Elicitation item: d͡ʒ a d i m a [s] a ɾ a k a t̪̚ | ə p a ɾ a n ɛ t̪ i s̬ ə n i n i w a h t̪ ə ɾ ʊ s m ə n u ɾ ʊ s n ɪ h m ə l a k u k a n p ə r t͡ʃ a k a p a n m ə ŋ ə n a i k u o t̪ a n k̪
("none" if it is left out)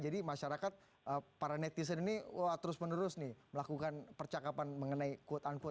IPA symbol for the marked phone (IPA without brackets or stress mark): ʃ